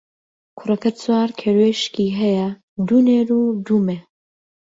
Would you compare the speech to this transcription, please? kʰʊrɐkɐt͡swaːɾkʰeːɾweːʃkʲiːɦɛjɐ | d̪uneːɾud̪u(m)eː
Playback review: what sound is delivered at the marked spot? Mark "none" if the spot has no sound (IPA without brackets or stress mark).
m